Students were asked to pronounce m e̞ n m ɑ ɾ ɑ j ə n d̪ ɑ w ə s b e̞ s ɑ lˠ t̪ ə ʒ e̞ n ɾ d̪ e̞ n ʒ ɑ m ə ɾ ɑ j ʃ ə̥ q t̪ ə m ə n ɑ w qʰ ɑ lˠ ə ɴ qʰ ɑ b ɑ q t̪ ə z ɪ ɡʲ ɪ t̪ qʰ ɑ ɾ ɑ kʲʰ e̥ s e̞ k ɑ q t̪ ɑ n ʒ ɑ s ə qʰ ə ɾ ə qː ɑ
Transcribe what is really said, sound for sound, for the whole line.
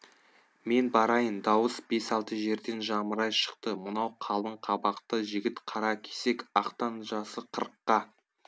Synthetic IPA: m e̞ n b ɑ ɾ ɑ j ə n d̪ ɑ w ə s b e̞ s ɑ lˠ t̪ ə ʒ e̞ ɾ d̪ e̞ n ʒ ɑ m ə ɾ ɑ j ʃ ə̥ q t̪ ə m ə n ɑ w qʰ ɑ lˠ ə ɴ qʰ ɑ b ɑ q t̪ ə ʒ ɪ ɡʲ ɪ t̪ qʰ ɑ ɾ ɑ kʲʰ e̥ s e̞ k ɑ q t̪ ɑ n ʒ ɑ s ə qʰ ə ɾ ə qː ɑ

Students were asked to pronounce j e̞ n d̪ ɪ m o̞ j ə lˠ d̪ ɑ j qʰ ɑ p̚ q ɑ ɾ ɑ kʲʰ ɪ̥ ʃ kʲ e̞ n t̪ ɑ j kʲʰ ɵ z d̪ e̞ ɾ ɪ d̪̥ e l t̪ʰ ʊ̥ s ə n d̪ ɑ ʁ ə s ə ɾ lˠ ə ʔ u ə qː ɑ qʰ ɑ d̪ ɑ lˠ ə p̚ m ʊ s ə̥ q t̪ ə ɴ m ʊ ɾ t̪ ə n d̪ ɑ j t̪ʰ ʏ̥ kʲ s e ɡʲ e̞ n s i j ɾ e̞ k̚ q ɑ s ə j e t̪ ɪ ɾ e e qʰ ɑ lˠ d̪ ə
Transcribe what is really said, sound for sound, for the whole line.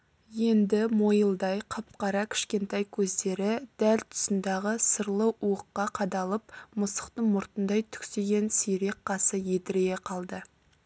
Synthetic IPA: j e̞ n d̪ ɪ m o̞ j ə lˠ d̪ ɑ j qʰ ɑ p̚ q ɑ ɾ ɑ kʲʰ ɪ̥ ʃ kʲ e̞ n t̪ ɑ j kʲʰ ɵ z d̪ e̞ ɾ ɪ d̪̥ æ l t̪ʰ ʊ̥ s ə n d̪ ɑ ʁ ə s ə ɾ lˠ ə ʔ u ə qː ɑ qʰ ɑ d̪ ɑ lˠ ə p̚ m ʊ s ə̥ q t̪ ə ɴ m ʊ ɾ t̪ ə n d̪ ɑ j t̪ʰ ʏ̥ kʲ s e ɡʲ e̞ n s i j ɾ e̞ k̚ q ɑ s ə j e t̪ ɪ ɾ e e qʰ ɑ lˠ d̪ ə

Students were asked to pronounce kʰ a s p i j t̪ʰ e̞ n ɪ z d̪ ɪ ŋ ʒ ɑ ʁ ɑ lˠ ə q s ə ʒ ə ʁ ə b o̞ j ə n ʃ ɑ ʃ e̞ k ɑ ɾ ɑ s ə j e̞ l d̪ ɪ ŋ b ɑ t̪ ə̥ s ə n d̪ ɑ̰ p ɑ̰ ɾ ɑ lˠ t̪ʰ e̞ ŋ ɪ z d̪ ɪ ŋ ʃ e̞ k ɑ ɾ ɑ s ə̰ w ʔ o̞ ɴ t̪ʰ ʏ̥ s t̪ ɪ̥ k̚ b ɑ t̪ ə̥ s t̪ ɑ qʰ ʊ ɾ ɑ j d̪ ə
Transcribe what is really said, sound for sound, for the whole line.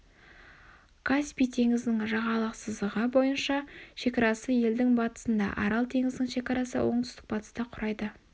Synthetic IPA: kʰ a s p i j t̪ʰ e̞ ŋ ɪ z d̪ ɪ ŋ ʒ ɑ ʁ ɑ lˠ ə q s ə z ə ʁ ə b o̞ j ə n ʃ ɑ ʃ e̞ k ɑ ɾ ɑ s ə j e̞ l d̪ ɪ ŋ b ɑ t̪ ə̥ s ə n d̪ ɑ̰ ʔ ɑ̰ ɾ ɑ lˠ t̪ʰ e̞ ŋ ɪ z d̪ ɪ ŋ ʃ e̞ k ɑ ɾ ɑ s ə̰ w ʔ o̞ ɴ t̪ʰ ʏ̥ s t̪ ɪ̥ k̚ b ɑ t̪ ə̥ s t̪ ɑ qʰ ʊ ɾ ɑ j d̪ ə

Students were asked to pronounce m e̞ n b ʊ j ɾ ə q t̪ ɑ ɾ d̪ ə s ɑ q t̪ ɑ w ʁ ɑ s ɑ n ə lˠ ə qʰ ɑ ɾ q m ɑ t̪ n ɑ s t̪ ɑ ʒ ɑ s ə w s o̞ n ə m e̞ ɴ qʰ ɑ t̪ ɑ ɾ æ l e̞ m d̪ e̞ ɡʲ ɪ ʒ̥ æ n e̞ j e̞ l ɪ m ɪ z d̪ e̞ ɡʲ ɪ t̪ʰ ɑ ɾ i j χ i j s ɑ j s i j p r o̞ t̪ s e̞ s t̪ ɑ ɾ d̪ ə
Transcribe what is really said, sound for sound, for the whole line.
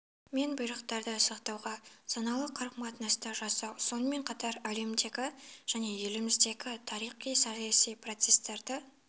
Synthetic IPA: m e̞ n b ʊ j ɾ ə q t̪ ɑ ɾ d̪ ə s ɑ q t̪ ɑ w ʁ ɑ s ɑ n ɑ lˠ ə qʰ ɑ ɾ q m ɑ t̪ n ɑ s t̪ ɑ ʒ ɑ s ɑ w s o̞ n ə m e̞ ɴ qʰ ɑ t̪ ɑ ɾ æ l e̞ m d̪ e̞ ɡʲ ɪ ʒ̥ æ n e̞ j e̞ l ɪ m ɪ z d̪ e̞ ɡʲ ɪ t̪ʰ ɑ ɾ i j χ i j s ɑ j s i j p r o̞ t̪ s e̞ s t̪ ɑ ɾ d̪ ə

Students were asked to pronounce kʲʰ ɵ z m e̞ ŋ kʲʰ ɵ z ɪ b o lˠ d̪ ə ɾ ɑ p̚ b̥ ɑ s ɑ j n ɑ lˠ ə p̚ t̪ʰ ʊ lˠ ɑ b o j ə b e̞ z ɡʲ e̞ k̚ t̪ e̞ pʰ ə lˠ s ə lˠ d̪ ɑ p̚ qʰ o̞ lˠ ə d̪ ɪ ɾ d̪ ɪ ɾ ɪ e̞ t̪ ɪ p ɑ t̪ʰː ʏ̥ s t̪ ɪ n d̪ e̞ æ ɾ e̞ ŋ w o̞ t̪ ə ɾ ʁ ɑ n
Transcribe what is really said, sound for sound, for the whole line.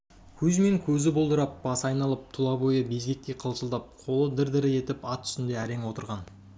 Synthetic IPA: kʲʰ ɵ z m e̞ ŋ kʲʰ ɵ z ɪ b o lˠ d̪ ə ɾ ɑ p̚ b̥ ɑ s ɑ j n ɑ lˠ ə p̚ t̪ʰ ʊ lˠ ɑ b o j ə b e̞ z ɡʲ e̞ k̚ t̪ e̞ qʰ ə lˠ s ə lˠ d̪ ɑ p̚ qʰ o̞ lˠ ə d̪ ɪ ɾ d̪ ɪ ɾ ɪ e̞ t̪ ɪ p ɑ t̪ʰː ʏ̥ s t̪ ɪ n d̪ e̞ æ ɾ e̞ ŋ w o̞ t̪ ə ɾ ʁ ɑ n

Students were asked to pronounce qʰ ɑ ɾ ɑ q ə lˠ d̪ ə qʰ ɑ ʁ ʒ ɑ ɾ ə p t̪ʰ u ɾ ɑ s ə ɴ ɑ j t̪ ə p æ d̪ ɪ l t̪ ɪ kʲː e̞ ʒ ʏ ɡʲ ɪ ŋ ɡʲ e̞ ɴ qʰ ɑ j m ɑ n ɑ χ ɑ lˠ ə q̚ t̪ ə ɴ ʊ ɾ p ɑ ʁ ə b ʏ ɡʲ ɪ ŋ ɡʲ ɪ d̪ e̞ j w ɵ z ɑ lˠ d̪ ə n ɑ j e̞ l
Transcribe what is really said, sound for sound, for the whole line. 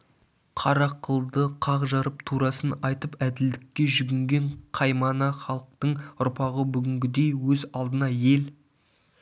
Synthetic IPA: qʰ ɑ ɾ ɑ q ə lˠ d̪ ə qʰ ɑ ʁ ʒ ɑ ɾ ə p t̪ʰ u ɾ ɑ s ə n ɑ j t̪ ə p æ d̪ ɪ l d̪ ɪ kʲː e̞ ʒ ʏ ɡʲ ɪ ŋ ɡʲ e̞ ɴ qʰ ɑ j m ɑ n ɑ χ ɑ lˠ ə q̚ t̪ ə ɴ ʊ ɾ p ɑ ʁ ə b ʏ ɡʲ ɪ ŋ ɡʲ ɪ d̪ e̞ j w ɵ z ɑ lˠ d̪ ə n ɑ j e̞ l

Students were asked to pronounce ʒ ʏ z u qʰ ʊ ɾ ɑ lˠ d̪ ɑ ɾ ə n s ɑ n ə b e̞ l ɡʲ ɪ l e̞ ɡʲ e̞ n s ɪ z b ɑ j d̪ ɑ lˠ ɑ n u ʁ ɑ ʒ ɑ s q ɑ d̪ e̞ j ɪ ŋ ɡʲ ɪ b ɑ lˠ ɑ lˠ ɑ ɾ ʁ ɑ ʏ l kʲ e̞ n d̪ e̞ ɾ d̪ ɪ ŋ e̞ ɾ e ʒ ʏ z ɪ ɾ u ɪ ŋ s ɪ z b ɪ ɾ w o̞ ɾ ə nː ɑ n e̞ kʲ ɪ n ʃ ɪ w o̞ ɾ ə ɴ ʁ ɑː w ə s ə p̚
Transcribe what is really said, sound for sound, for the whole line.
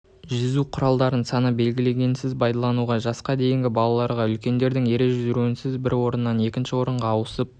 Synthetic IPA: ʒ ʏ z u qʰ ʊ ɾ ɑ lˠ d̪ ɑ ɾ ə n s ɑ n ə b e̞ l ɡʲ ɪ l e̞ ɡʲ e̞ n s ɪ z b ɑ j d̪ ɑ lˠ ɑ n u ʁ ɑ ʒ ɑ s q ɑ d̪ e̞ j ɪ ŋ ɡʲ ɪ b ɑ lˠ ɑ lˠ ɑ ɾ ʁ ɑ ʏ l kʲ e̞ n d̪ e̞ ɾ d̪ ɪ ŋ e̞ ɾ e ʒ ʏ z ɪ ɾ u ɪ n s ɪ z b ɪ ɾ w o̞ ɾ ə nː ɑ n e̞ kʲ ɪ n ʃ ɪ w o̞ ɾ ə ɴ ʁ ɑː w ə s ə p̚

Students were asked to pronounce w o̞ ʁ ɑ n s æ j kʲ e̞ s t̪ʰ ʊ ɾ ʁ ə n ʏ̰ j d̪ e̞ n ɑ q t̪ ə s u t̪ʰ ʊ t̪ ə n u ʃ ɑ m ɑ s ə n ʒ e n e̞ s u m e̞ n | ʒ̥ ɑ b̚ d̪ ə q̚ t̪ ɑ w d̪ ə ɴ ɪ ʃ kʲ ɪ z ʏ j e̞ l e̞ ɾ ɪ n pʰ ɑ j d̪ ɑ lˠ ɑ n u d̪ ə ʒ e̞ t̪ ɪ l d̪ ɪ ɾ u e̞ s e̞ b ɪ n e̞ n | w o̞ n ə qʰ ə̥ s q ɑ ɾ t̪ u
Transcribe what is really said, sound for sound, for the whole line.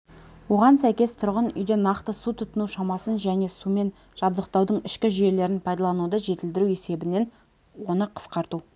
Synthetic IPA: w o̞ ʁ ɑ n s æ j kʲ e̞ s t̪ʰ ʊ ɾ ʁ ə n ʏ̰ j d̪ e̞ n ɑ q t̪ ə s u t̪ʰ ʊ t̪ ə n u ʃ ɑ m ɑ s ə n ʒ æ n e̞ s u m e̞ n | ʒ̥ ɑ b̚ d̪ ə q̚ t̪ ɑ w d̪ ə ɴ ɪ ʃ kʲ ɪ ʒ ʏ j e̞ l e̞ ɾ ɪ n pʰ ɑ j d̪ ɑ lˠ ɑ n u d̪ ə ʒ e̞ t̪ ɪ l d̪ ɪ ɾ u e̞ s e̞ b ɪ n e̞ n | w o̞ n ə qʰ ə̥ s q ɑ ɾ t̪ u

